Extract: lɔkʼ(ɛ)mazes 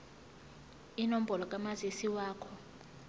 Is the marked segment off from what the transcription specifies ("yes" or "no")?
yes